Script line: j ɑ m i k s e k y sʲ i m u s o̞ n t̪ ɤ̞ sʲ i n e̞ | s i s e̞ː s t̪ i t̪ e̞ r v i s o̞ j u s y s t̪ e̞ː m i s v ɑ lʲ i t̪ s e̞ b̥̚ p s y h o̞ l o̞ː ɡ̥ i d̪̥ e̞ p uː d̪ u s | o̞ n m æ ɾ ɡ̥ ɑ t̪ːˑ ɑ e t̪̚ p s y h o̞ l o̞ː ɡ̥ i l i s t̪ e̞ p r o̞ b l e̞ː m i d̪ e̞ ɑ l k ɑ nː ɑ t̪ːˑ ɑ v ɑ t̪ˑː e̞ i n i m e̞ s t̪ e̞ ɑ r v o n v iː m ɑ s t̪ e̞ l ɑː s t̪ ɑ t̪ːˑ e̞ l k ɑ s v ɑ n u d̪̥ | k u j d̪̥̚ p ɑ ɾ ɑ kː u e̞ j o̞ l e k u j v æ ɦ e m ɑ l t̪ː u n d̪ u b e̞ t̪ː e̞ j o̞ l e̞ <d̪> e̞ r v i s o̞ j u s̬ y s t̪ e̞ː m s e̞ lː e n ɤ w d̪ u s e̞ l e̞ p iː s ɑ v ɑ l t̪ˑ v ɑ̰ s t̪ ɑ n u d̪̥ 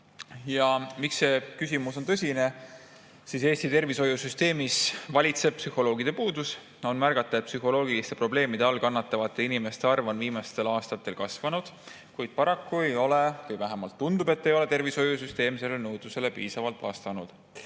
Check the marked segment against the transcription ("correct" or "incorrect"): incorrect